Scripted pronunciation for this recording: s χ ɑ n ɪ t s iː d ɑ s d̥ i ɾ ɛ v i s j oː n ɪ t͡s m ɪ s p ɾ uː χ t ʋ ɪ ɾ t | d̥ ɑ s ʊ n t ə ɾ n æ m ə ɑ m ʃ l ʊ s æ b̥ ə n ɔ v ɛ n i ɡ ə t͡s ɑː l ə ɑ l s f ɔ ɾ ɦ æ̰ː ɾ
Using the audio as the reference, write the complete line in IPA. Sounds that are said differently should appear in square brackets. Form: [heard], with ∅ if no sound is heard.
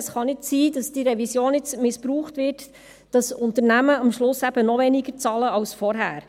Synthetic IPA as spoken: s χ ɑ n ɪ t s iː d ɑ s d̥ i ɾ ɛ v i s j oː n ɪ t͡s m ɪ s p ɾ uː χ t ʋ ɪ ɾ t | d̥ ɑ s ʊ n t ə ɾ n æ m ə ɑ m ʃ l ʊ s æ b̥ ə n ɔ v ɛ n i ɡ ə t͡s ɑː l ə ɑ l s f ɔ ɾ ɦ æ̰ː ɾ